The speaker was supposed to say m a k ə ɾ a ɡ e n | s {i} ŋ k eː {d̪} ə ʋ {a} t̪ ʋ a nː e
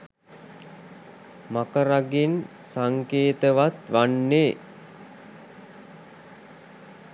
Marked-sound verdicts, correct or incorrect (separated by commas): incorrect, incorrect, correct